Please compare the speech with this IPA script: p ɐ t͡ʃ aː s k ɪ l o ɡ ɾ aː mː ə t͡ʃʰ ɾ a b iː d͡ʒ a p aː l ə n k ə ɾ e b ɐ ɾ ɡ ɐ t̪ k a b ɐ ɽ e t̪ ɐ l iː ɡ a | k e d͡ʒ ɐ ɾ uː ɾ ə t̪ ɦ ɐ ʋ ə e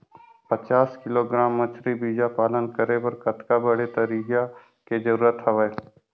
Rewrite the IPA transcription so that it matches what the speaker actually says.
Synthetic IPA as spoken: p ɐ t͡ʃ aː s k ɪ l o ɡ ɾ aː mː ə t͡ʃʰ ɾ i b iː d͡ʒ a p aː l ə n k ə ɾ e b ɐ ɾ k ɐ t̪ k a b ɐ ɽ e t̪ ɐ ɾ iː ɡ a | k e d͡ʒ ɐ ɾ uː ɾ ə t̪ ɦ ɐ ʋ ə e